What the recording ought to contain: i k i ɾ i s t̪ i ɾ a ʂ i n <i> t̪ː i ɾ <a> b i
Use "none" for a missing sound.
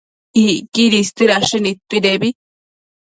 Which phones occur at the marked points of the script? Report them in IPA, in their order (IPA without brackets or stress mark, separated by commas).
i, e